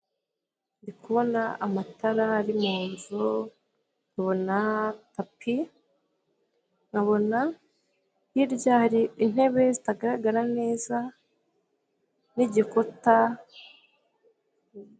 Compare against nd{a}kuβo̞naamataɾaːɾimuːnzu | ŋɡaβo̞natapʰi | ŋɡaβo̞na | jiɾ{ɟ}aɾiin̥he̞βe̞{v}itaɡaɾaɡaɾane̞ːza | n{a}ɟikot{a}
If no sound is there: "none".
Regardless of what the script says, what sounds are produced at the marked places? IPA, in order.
i, ɟ, z, i, a

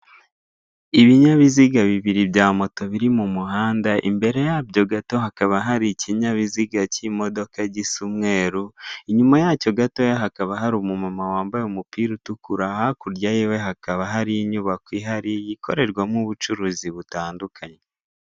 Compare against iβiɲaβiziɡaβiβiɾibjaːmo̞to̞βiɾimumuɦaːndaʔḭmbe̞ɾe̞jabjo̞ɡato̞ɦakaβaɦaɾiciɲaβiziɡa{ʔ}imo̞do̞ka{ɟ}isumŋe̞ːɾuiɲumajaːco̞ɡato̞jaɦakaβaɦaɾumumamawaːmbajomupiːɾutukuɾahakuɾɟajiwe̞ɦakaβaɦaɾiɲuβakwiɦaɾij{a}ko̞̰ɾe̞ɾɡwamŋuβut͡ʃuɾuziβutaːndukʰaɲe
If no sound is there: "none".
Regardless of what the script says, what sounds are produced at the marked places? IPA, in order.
c, ɟ, i

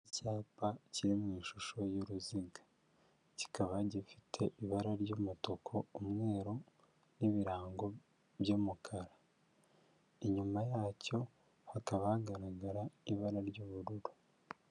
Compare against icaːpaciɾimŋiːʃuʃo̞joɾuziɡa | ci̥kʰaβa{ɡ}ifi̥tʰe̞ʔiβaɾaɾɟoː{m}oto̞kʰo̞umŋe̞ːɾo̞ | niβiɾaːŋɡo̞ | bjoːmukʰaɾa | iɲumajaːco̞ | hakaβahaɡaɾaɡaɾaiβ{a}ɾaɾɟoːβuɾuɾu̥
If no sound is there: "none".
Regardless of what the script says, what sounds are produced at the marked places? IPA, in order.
ɟ, m, a

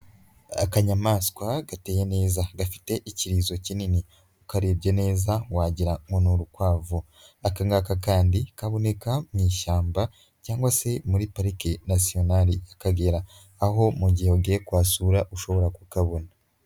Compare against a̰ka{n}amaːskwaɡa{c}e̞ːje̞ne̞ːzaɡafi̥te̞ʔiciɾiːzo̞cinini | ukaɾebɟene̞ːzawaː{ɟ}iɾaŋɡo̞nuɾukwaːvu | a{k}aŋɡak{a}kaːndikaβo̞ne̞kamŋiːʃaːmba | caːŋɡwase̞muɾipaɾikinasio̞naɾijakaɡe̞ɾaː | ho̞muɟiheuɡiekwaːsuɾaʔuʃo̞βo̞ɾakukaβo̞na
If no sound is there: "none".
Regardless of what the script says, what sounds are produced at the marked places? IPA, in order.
ɲ, t, ɟ, k, a

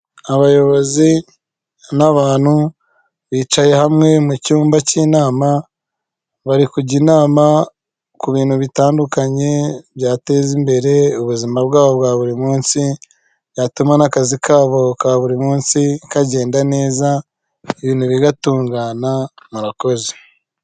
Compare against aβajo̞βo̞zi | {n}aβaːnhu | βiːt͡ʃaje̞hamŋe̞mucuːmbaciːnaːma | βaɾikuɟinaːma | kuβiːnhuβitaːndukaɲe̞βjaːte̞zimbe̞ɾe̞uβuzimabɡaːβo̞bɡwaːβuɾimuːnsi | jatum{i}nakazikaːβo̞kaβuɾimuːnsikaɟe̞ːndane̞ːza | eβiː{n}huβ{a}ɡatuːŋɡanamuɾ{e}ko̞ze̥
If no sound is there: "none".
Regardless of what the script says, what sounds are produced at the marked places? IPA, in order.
n, a, n, i, a

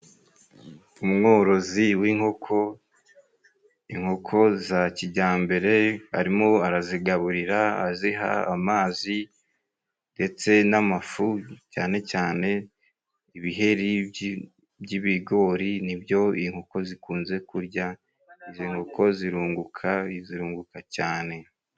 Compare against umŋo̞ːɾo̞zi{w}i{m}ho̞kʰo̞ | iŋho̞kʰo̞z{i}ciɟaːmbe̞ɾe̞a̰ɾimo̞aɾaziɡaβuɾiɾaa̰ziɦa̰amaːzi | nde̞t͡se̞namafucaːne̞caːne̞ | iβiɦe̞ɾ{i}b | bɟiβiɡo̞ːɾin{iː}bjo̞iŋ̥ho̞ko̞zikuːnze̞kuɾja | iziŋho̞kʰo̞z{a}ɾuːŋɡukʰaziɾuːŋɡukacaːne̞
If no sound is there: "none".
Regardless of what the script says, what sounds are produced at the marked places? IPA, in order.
w, ŋ, a, i, i, i

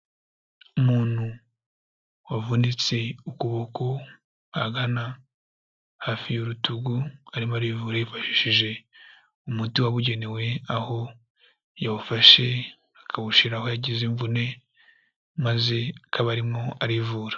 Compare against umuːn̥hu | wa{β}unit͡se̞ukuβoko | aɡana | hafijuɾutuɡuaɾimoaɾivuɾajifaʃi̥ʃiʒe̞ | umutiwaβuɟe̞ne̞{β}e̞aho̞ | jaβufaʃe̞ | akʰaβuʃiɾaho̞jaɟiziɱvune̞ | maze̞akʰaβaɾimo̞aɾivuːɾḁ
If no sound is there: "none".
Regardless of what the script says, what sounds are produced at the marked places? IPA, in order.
v, w

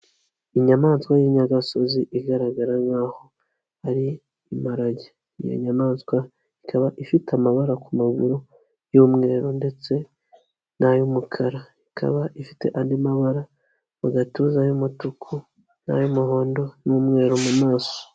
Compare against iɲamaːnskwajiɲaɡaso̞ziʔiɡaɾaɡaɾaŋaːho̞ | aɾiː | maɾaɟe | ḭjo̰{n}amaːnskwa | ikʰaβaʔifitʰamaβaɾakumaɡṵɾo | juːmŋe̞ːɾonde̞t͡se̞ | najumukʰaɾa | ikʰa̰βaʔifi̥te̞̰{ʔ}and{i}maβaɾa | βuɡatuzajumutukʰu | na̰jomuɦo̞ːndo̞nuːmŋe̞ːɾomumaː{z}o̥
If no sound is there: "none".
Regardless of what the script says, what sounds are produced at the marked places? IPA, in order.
ɲ, ʔ, i, s

